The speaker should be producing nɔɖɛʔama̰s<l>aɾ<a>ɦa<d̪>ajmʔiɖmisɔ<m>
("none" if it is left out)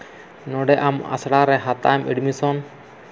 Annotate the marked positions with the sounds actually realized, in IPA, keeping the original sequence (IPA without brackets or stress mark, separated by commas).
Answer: ɽ, ɛ, t̪, n